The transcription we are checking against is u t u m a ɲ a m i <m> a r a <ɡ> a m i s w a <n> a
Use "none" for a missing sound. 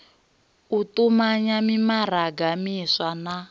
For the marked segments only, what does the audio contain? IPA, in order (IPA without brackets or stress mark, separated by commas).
m, ɡ, n